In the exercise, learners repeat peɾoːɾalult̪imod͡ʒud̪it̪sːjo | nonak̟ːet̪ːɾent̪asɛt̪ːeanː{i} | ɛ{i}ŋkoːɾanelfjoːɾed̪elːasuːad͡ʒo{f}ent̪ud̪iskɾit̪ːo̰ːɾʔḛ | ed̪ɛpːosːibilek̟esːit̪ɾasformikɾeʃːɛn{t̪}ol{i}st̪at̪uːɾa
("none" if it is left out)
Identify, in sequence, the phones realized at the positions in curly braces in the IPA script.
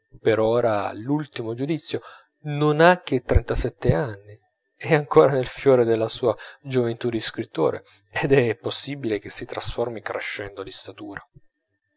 i, a, v, d̪, i

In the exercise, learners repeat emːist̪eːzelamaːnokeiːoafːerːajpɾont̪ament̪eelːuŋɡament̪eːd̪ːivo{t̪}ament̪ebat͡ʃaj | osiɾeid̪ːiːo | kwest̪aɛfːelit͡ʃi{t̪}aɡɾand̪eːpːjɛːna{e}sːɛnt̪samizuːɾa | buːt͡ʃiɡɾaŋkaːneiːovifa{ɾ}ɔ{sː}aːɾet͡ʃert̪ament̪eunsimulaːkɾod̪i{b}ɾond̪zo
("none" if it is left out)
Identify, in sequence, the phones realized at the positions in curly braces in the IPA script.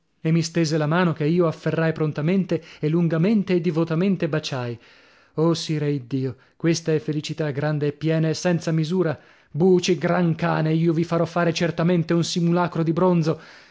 t̪, t̪, e, ɾ, fː, b

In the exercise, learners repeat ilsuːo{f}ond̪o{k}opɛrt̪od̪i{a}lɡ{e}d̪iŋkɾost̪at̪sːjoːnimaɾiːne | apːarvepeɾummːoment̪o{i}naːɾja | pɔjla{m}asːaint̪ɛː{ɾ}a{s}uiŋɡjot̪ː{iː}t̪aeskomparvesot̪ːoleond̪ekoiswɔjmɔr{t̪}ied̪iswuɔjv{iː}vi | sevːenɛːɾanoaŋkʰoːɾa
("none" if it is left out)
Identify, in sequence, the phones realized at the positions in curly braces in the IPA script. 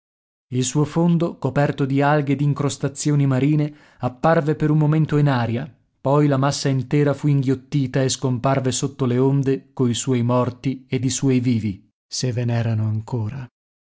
f, k, a, e, i, m, ɾ, f, iː, t̪, iː

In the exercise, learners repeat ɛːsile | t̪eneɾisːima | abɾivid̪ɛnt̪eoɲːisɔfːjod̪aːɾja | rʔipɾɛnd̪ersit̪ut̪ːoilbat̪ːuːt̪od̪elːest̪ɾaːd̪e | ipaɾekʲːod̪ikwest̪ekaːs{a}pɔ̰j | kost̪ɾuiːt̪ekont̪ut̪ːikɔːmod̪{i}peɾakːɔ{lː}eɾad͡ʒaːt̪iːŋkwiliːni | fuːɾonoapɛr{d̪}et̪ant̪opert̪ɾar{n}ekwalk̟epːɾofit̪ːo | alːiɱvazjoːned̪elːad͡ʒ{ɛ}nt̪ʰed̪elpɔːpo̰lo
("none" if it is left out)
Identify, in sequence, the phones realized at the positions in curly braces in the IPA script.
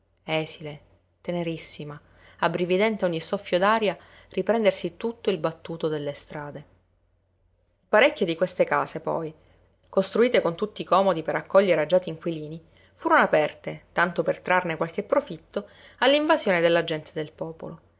e, i, ʎː, t̪, n, ɛ

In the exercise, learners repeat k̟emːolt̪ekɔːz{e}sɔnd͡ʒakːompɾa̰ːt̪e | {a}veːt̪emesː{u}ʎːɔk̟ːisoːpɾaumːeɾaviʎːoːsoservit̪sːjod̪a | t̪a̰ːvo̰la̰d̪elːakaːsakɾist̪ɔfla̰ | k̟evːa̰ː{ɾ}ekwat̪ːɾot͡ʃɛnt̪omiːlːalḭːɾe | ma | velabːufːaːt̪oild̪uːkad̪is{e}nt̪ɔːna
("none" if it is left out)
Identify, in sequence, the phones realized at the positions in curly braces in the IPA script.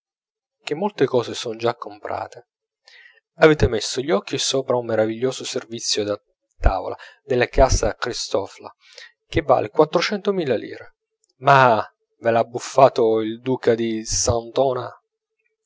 e, a, o, l, a

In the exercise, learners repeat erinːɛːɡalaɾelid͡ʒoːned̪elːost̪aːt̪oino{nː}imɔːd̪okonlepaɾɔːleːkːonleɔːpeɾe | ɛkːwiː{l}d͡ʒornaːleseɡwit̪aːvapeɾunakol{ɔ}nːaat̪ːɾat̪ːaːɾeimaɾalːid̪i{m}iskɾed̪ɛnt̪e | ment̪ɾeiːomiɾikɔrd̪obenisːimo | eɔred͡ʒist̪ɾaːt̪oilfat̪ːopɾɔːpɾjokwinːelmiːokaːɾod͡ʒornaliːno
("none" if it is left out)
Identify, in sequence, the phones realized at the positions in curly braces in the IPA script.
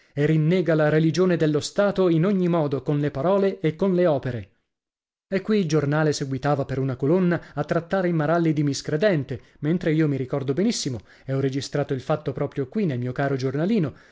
ɲː, l, o, m

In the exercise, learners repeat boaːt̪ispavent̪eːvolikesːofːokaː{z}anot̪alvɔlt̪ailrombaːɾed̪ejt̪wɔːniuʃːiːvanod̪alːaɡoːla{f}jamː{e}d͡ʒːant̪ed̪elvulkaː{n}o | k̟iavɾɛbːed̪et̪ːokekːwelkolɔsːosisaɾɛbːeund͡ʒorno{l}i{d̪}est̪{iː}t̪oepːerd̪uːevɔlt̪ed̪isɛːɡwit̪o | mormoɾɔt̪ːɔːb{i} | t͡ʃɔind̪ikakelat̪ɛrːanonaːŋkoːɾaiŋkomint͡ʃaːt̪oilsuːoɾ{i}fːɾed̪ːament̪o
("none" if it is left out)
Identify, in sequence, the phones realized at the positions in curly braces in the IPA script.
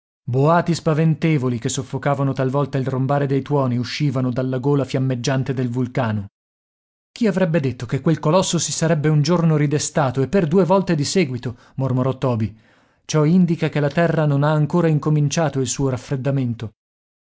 v, f, e, n, ɾ, d̪, aː, i, a

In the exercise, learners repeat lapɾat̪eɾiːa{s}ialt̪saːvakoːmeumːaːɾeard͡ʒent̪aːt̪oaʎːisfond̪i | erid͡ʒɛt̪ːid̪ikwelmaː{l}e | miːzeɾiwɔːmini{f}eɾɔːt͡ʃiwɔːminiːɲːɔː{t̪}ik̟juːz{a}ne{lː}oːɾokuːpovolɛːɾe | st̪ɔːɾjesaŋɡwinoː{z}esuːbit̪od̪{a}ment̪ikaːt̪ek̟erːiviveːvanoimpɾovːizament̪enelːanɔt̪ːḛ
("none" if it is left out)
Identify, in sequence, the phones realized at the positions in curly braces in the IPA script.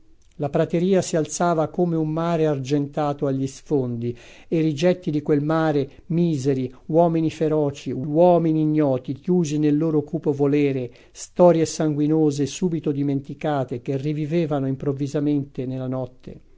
s, ɾ, f, t̪, i, lː, z, i

